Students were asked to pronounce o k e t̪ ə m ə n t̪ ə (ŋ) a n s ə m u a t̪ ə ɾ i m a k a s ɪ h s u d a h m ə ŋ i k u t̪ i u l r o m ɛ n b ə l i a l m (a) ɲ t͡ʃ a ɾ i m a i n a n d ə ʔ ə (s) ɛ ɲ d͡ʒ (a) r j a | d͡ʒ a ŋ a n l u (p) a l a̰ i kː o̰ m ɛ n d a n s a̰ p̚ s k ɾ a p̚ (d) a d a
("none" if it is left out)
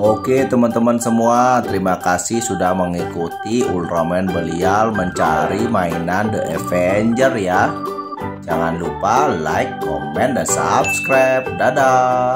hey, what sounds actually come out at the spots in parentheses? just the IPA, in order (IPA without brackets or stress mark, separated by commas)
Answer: m, ə, f, ə, p, d